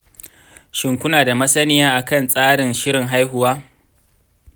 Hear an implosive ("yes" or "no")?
no